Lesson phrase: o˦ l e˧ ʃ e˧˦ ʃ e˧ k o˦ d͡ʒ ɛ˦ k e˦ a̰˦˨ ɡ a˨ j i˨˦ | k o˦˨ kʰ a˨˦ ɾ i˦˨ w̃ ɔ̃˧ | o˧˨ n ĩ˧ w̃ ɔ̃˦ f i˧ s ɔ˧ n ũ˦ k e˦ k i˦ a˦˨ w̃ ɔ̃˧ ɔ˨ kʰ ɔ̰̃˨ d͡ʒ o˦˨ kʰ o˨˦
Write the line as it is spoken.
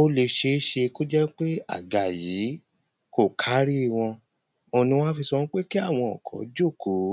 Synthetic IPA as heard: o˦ l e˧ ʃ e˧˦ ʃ e˧ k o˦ d͡ʒ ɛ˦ k͡p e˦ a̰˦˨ ɡ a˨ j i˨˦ | k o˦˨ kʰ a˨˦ ɾ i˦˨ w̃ ɔ̃˧ | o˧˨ n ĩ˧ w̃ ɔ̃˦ f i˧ s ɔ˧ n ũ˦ k͡p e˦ k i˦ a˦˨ w̃ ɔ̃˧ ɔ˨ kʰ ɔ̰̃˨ d͡ʒ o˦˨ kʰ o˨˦